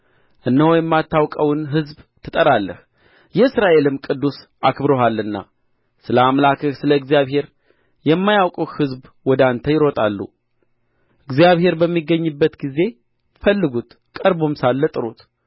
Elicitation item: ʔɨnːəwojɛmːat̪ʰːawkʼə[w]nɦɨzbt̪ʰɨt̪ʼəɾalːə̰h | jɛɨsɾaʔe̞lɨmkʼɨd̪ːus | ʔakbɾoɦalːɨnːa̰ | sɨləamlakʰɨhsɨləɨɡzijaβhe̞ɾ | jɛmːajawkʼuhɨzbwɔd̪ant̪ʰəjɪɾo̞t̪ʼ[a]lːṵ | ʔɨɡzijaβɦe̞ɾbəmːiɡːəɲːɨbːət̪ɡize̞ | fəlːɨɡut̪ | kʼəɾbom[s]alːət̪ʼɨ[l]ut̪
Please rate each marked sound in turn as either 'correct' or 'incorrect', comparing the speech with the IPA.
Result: correct, correct, correct, incorrect: ɾ

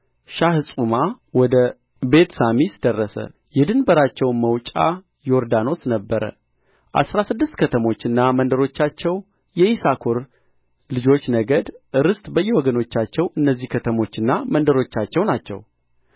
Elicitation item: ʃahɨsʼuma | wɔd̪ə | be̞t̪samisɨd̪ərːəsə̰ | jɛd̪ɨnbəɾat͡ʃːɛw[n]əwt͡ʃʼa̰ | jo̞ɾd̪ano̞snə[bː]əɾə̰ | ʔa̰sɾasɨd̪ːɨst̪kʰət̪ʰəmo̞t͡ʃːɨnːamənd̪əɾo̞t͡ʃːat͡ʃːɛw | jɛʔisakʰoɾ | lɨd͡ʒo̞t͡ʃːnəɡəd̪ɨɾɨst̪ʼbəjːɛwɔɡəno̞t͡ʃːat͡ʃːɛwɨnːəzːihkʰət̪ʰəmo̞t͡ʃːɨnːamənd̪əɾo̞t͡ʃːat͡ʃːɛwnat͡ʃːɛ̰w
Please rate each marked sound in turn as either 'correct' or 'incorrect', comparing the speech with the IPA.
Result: incorrect: m, correct

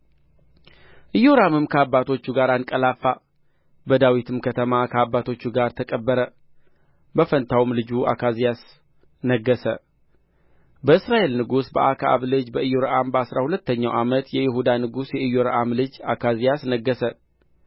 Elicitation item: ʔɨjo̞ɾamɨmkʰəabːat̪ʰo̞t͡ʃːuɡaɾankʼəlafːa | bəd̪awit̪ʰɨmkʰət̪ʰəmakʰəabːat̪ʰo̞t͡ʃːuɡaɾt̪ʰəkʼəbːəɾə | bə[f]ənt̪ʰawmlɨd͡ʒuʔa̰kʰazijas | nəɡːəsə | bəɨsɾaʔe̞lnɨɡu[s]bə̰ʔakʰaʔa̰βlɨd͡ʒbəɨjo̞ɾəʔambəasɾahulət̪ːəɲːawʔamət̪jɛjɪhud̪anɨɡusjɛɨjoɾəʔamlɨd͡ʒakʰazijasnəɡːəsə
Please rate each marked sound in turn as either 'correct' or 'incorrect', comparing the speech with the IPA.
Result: correct, correct

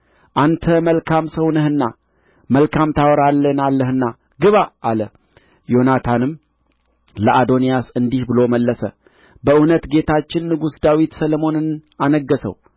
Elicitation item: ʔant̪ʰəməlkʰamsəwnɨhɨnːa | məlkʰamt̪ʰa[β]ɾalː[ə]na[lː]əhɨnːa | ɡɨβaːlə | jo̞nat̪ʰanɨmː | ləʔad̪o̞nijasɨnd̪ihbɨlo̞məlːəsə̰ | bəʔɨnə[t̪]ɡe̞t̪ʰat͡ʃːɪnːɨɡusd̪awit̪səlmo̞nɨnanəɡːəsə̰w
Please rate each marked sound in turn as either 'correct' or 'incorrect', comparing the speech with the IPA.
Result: incorrect: w, correct, correct, correct

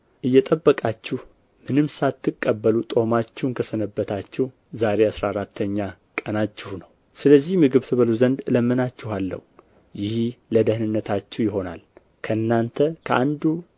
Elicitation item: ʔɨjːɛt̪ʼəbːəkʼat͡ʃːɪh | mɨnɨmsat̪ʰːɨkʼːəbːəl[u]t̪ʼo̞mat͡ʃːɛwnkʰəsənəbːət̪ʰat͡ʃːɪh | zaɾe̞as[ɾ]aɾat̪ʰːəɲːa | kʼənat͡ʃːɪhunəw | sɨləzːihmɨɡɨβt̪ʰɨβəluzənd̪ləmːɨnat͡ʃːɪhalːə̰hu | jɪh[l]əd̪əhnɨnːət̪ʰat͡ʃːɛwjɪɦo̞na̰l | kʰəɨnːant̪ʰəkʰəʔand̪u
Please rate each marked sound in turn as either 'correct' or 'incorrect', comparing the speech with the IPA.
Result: correct, correct, correct

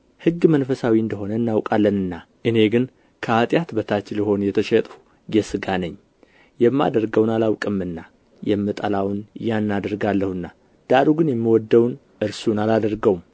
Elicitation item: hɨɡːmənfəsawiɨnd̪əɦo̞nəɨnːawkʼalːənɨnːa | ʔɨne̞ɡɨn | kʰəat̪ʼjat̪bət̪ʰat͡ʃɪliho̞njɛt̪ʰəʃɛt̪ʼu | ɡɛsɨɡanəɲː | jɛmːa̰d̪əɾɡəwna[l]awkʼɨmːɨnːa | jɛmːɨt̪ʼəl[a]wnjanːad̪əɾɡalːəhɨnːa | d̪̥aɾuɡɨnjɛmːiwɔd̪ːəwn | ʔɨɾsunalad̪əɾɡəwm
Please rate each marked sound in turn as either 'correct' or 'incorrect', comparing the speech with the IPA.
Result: correct, correct

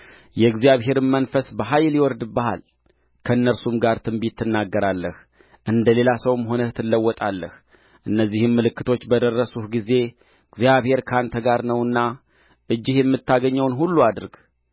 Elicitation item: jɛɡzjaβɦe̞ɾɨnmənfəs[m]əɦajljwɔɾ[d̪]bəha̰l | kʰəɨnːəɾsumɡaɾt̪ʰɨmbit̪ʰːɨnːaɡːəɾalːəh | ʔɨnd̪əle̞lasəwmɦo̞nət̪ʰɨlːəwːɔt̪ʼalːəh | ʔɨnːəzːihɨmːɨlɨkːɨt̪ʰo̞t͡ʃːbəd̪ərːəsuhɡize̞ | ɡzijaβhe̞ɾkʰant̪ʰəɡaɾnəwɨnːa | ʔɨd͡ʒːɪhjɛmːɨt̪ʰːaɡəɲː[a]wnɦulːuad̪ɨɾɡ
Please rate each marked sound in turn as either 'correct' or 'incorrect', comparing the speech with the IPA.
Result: incorrect: b, correct, incorrect: ə

